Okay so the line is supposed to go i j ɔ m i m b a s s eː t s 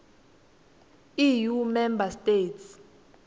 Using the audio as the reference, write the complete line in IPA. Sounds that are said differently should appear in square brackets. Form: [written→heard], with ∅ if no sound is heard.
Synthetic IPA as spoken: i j [ɔ→u] m [i→ɛ] m b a s [s→t] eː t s